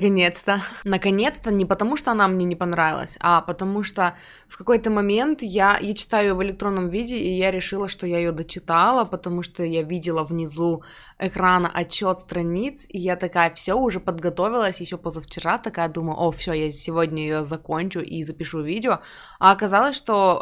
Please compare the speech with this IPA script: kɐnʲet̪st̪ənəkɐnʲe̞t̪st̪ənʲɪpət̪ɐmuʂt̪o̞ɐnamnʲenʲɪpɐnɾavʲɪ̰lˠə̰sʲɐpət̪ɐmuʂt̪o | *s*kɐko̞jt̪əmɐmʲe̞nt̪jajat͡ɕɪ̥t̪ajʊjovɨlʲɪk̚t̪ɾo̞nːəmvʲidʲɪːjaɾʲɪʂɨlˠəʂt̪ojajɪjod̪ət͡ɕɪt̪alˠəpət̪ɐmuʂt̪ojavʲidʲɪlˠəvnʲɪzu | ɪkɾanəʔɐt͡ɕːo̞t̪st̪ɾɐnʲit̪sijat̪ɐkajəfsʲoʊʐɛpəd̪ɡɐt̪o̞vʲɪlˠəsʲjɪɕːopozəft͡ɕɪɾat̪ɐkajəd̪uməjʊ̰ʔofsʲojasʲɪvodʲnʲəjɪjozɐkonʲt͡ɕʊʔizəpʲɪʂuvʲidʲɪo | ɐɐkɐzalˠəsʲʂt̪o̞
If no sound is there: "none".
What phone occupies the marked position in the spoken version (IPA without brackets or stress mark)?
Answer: f